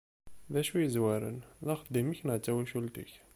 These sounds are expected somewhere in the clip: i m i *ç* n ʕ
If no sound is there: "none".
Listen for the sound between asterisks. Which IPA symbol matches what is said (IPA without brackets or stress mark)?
ç